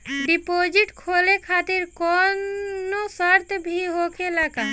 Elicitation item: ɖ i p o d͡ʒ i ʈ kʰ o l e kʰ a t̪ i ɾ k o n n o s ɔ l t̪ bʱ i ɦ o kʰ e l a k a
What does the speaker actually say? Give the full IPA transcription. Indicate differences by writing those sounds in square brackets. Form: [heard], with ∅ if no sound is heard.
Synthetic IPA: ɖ i p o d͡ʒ i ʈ kʰ o l e kʰ a t̪ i ɾ k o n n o s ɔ [ɾ] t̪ bʱ i ɦ o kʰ e l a k a

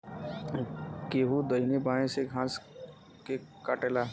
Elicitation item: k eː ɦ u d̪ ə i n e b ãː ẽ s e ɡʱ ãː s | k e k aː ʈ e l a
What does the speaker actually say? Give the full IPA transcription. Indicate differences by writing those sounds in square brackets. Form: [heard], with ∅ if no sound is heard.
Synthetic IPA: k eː ɦ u d̪ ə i n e b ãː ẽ s e ɡʱ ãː s | k e k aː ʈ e l a

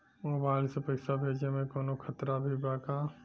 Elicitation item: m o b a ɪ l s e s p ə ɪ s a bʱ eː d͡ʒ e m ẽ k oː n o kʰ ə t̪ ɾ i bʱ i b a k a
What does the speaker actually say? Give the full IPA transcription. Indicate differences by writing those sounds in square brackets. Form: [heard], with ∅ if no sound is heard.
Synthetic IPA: m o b a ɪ l s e [∅] p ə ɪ s a bʱ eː d͡ʒ e m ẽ k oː n o kʰ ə t̪ ɾ [a] bʱ i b a k a

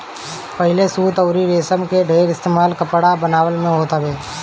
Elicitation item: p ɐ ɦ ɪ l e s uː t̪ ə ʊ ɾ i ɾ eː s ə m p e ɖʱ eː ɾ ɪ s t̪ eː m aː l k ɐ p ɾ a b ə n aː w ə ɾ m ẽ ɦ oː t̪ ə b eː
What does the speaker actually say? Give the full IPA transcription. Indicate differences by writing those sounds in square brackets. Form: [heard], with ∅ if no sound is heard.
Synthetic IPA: p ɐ ɦ ɪ l e s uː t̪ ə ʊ ɾ i ɾ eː s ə m [k] e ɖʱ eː ɾ ɪ s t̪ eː m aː l k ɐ p [ɽ] a b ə n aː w ə [l] m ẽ ɦ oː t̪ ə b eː

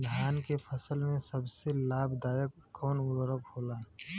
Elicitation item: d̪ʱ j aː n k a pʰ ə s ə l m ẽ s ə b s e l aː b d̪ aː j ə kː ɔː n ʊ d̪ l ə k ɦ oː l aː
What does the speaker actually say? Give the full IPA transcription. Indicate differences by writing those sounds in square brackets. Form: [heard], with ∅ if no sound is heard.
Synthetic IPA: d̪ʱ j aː n k [e] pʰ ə s ə l m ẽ s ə b s e l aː b d̪ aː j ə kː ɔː n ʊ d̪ [ɾ] ə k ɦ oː l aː

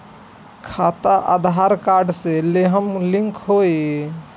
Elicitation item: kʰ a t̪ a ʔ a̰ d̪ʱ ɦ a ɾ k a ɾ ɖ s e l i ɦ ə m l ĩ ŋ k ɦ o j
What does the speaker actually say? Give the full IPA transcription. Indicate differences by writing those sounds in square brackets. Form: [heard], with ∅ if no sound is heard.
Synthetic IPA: kʰ a t̪ a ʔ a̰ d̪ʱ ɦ a ɾ k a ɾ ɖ s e l [e] ɦ ə m l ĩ ŋ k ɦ o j

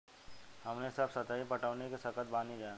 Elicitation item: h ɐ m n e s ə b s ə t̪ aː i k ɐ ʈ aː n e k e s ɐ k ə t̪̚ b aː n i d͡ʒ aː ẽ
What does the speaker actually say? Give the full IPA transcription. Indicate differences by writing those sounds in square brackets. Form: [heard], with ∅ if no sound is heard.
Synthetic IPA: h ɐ m n e s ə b s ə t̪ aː i [p] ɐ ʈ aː n e k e s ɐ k ə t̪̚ b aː n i d͡ʒ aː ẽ

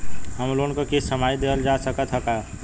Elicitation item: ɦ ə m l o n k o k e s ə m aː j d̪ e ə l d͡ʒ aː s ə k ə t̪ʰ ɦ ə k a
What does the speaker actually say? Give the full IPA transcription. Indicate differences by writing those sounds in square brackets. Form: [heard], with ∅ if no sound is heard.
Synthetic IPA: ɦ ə m l o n k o k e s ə m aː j d̪ e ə l d͡ʒ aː s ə k ə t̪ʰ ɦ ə k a

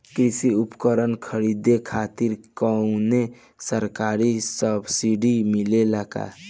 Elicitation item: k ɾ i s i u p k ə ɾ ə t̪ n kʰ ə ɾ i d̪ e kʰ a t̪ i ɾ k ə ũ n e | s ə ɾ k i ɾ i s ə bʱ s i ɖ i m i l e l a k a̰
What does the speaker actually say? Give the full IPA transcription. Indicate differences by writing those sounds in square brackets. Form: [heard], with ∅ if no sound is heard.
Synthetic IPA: k ɾ i s i u p k ə ɾ ə [∅] n kʰ ə ɾ i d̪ e kʰ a t̪ i ɾ k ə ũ n e | s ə ɾ k [a] ɾ i s ə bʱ s i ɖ i m i l e l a k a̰

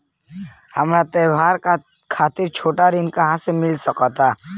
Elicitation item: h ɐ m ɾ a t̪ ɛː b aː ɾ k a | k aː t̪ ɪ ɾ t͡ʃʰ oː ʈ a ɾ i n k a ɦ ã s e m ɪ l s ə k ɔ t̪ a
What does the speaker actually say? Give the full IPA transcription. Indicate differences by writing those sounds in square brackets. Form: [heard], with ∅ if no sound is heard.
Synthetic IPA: h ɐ m ɾ a t̪ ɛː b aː ɾ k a | [kʰ] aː t̪ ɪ ɾ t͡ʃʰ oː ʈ a ɾ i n k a ɦ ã s e m ɪ l s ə k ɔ t̪ a

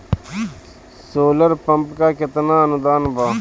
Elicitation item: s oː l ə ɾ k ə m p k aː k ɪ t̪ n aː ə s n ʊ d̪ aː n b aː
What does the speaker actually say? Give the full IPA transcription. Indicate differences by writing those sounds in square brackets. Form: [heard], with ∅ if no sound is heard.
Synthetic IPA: s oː l ə ɾ [p] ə m p k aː k ɪ t̪ n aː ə [∅] n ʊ d̪ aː n b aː

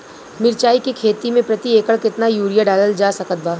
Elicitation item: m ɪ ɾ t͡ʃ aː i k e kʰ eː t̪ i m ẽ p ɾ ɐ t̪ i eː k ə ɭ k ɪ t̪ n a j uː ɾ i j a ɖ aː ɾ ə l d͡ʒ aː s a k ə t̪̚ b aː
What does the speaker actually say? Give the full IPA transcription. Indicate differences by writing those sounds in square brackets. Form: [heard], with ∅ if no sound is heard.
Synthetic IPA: m ɪ ɾ t͡ʃ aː i k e kʰ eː t̪ i m ẽ p ɾ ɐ t̪ i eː k ə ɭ k ɪ t̪ n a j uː ɾ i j a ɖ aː [l] ə l d͡ʒ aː s [ɐ] k ə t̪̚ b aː

